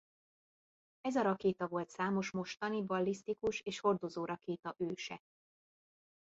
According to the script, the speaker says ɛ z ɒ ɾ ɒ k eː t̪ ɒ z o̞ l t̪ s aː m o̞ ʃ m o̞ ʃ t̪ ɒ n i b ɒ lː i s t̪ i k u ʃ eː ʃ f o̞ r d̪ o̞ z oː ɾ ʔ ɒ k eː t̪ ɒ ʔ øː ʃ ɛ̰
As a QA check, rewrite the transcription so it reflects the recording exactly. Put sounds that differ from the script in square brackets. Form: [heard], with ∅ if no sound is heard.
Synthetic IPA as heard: ɛ z ɒ ɾ ɒ k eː t̪ ɒ [v] o̞ l t̪ s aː m o̞ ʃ m o̞ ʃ t̪ ɒ n i b ɒ lː i s t̪ i k u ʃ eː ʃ [h] o̞ r d̪ o̞ z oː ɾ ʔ ɒ k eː t̪ ɒ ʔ øː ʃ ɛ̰